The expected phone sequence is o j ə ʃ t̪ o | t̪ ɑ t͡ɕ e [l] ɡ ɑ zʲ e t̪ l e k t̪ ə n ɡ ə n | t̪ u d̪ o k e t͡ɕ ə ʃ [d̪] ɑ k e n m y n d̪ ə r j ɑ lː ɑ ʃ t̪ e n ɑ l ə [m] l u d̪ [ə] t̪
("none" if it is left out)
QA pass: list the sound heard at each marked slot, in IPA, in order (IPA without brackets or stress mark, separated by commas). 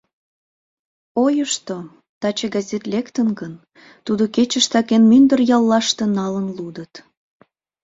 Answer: none, t̪, n, ə